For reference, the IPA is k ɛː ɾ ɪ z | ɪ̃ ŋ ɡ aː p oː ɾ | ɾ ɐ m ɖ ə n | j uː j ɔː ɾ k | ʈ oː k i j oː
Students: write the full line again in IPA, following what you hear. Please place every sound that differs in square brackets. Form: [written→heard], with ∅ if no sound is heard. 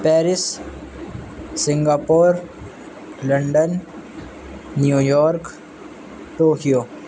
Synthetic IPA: [k→p] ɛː ɾ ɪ [z→s] | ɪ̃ ŋ ɡ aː p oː ɾ | [ɾ→l] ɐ [m→ɳ] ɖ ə n | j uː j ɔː ɾ k | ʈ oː k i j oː